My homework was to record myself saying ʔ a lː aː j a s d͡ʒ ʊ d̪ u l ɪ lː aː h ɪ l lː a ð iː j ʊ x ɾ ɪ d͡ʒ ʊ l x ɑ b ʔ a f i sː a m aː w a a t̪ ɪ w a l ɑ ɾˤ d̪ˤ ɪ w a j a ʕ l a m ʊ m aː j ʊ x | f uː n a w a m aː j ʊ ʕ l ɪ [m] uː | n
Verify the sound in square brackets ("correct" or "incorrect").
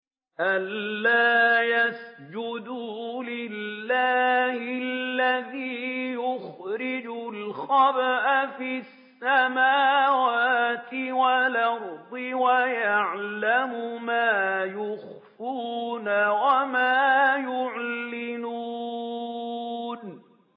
incorrect